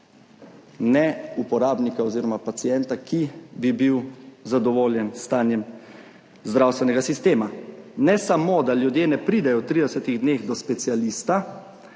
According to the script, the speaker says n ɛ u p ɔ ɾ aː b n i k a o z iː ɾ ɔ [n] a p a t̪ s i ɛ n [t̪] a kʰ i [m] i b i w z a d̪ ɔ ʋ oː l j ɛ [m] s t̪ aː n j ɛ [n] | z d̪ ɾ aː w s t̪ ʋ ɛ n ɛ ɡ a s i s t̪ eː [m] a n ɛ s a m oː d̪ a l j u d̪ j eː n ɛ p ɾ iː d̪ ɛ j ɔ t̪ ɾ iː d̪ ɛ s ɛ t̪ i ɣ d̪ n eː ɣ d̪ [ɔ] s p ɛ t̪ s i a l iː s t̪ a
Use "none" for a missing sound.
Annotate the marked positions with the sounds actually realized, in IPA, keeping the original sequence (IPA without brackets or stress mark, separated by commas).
m, t̪, b, n, m, m, ɔ